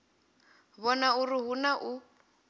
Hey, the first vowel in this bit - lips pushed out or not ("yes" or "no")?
yes